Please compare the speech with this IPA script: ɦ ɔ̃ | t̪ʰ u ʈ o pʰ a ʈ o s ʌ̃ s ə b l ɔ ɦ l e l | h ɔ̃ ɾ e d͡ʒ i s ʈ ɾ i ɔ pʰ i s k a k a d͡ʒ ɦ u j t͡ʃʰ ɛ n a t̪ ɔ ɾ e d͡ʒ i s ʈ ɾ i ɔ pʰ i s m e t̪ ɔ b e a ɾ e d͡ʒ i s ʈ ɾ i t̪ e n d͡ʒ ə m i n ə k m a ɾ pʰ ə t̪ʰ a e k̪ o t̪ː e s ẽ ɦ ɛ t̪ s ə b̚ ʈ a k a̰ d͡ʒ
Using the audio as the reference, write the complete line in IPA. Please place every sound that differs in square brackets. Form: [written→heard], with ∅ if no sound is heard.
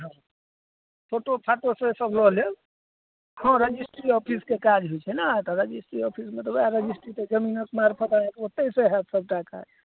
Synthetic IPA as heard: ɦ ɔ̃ | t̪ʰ [u→o] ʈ o pʰ a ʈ o s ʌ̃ s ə b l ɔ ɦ l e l | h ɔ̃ ɾ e d͡ʒ i s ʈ ɾ i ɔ pʰ i s k [a→e] k a d͡ʒ ɦ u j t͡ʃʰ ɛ n a t̪ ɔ ɾ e d͡ʒ i s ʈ ɾ i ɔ pʰ i s m e t̪ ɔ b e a ɾ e d͡ʒ i s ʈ ɾ i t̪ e [n→∅] d͡ʒ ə m i n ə k m a ɾ pʰ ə [t̪ʰ→t̪] a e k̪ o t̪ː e s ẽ ɦ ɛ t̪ s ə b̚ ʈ a k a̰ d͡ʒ